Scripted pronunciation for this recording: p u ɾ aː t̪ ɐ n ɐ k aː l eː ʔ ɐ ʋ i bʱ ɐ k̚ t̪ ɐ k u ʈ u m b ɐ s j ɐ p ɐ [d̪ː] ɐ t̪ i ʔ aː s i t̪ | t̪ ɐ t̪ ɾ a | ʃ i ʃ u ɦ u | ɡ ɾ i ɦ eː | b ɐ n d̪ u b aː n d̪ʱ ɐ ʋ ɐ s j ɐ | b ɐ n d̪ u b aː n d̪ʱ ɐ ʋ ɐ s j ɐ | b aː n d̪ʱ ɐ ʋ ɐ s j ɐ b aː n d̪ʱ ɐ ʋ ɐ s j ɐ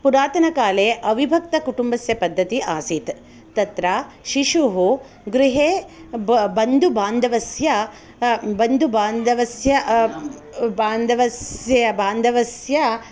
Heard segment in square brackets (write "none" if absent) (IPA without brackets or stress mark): d̪ː